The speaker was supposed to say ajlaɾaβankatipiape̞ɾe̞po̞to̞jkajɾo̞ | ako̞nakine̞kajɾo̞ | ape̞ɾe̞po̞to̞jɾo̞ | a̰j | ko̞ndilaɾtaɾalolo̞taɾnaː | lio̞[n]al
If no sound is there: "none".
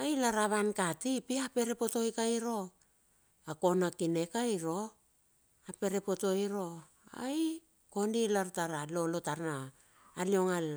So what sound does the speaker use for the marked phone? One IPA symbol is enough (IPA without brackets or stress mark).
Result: ŋ